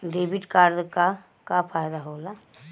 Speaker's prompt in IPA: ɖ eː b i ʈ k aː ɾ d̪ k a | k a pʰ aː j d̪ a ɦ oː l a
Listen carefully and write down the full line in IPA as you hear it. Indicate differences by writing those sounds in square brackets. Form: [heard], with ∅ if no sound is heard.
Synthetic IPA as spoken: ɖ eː b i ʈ k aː ɾ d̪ k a | k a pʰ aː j d̪ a ɦ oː l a